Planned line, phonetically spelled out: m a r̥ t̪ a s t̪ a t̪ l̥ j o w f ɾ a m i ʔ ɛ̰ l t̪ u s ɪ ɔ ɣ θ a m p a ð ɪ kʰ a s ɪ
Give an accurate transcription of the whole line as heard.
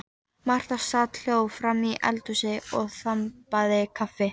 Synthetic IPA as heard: m a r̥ t̪ a s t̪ a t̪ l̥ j o w f ɾ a m i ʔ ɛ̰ l t̪ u s ɪ ɔ ɣ θ a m p a ð ɪ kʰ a f ɪ